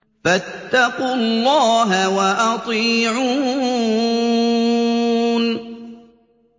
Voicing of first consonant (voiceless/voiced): voiceless